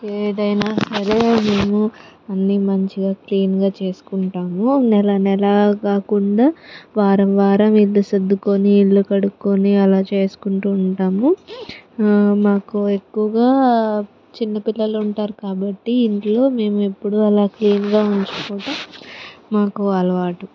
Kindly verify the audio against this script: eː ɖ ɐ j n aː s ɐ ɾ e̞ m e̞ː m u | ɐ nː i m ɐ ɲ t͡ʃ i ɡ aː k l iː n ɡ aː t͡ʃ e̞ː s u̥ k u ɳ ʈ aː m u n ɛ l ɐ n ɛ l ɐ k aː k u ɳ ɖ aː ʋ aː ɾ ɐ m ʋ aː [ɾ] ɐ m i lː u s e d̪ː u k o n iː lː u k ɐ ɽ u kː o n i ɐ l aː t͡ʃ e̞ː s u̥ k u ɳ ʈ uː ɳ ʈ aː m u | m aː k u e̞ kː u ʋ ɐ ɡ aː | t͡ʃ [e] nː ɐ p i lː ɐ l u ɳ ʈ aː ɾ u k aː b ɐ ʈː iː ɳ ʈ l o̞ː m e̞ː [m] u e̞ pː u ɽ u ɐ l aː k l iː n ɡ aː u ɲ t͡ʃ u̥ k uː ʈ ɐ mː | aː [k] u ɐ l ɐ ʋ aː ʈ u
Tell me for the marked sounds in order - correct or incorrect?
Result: correct, incorrect: i, correct, correct

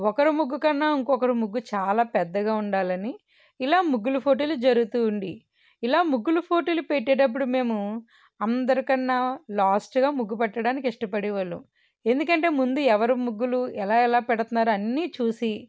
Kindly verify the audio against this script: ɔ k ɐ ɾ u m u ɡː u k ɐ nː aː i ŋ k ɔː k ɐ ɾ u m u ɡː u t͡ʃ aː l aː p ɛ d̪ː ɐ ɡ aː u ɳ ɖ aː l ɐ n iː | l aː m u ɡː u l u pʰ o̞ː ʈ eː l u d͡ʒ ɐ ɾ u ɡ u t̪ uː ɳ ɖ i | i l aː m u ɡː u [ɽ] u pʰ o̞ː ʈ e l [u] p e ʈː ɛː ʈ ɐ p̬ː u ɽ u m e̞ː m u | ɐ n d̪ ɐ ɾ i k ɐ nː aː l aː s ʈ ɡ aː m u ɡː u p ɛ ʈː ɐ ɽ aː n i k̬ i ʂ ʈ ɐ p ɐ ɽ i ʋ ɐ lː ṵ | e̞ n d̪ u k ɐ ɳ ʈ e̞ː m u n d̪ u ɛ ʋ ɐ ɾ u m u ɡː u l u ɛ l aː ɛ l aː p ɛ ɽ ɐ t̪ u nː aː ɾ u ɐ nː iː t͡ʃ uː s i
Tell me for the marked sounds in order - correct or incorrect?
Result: incorrect: l, correct

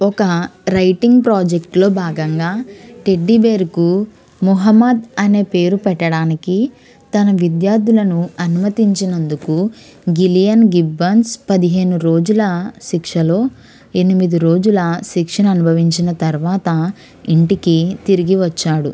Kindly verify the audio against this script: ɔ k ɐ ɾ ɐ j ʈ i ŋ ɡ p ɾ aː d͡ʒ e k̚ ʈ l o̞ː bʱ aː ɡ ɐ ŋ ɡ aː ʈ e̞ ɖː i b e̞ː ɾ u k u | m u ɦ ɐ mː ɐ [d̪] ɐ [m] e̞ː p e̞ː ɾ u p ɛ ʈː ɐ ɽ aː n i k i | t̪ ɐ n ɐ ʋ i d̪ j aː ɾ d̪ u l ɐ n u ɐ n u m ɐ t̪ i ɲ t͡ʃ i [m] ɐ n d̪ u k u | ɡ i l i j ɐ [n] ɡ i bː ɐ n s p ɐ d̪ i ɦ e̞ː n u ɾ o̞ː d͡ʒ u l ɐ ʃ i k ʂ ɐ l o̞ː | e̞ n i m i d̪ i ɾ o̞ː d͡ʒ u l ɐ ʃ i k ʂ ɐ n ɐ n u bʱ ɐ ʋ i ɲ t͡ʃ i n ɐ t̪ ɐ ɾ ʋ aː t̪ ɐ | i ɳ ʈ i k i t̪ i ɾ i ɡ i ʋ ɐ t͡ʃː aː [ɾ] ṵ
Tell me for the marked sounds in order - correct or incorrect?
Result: correct, incorrect: n, incorrect: n, correct, incorrect: ɽ

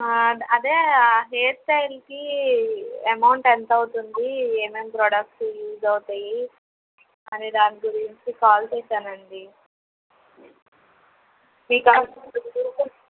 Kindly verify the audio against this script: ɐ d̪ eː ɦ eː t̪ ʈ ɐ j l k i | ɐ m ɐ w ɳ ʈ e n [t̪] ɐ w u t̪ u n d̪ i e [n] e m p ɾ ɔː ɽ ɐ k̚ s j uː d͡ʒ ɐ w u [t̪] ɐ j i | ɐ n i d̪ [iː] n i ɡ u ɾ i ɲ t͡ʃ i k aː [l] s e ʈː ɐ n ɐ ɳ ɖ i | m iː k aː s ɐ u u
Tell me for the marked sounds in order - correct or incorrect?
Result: correct, incorrect: m, correct, incorrect: aː, correct

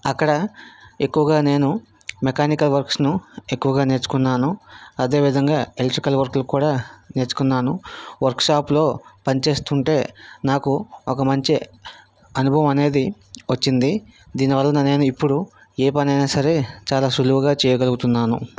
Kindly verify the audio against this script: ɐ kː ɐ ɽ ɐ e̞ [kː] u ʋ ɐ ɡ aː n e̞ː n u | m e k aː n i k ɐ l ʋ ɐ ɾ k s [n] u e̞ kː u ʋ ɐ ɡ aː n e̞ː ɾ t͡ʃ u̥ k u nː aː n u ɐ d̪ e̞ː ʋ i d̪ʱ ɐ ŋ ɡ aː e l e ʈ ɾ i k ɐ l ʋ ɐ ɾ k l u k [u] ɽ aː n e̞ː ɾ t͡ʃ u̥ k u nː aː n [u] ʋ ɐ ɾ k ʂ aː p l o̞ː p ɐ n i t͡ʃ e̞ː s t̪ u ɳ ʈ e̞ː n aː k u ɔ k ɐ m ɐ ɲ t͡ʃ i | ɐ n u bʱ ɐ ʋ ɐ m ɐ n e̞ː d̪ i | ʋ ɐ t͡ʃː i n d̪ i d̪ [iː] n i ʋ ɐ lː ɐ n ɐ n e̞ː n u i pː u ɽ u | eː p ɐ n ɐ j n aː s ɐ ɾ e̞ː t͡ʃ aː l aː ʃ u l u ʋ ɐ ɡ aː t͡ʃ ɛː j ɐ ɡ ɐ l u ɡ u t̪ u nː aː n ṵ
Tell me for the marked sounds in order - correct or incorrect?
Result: correct, correct, incorrect: uː, correct, correct

